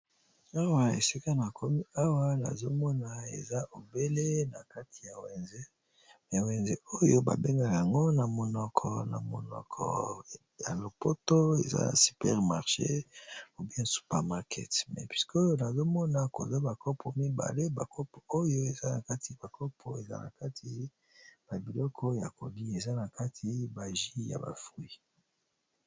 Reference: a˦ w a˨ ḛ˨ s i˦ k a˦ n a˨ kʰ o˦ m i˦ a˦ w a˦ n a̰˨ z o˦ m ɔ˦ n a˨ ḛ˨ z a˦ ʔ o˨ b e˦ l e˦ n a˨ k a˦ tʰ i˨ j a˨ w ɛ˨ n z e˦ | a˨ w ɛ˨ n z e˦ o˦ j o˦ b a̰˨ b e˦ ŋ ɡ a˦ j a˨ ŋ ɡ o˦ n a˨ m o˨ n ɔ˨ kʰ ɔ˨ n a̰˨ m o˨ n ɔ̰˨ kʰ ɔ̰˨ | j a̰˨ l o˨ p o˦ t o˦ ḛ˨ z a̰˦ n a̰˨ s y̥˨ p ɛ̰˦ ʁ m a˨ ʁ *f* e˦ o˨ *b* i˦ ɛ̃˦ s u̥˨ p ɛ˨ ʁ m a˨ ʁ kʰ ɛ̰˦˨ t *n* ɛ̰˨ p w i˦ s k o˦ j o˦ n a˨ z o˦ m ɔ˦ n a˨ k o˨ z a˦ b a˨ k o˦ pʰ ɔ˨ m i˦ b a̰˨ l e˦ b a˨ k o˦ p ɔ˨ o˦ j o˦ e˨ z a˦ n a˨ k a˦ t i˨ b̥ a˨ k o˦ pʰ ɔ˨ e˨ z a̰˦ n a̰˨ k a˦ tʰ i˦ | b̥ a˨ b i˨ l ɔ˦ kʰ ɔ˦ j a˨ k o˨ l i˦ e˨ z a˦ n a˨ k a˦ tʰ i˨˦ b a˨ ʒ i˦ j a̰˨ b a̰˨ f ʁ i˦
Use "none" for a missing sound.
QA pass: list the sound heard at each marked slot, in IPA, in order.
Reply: ʃ, b, m

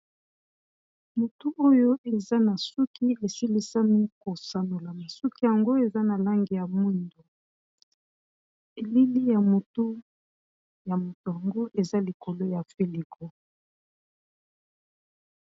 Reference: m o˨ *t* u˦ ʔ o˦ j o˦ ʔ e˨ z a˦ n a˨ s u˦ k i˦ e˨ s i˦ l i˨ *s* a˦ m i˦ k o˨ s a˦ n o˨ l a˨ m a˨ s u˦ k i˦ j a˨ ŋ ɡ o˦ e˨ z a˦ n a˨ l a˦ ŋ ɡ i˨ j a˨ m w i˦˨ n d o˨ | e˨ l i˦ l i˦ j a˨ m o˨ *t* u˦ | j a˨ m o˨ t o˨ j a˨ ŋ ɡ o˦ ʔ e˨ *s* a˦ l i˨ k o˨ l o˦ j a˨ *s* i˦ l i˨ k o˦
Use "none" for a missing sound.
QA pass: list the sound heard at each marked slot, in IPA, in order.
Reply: t, s, t, z, f

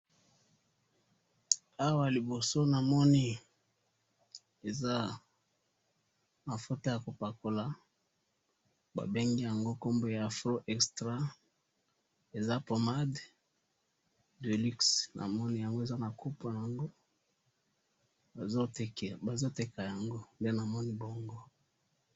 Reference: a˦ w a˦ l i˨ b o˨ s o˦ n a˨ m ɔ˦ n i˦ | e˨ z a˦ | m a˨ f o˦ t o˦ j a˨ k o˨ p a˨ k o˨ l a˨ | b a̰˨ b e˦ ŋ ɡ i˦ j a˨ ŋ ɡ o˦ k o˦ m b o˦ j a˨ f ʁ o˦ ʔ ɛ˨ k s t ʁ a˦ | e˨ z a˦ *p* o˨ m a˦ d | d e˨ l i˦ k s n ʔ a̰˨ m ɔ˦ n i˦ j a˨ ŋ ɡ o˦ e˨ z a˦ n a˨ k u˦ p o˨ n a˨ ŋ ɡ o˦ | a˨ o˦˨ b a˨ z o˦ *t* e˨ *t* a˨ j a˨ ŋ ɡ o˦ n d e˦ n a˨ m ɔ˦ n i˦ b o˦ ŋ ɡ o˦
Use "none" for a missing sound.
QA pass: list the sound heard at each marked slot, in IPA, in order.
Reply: p, t, k

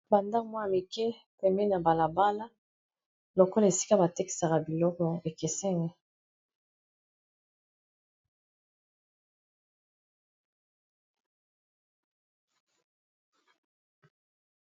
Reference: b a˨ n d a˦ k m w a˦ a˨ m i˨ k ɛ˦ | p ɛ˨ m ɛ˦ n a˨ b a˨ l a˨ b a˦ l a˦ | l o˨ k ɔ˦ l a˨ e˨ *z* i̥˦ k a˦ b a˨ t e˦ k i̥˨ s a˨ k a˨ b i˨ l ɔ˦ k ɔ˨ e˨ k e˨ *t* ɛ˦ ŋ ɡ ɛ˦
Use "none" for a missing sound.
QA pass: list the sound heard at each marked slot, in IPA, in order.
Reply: s, s

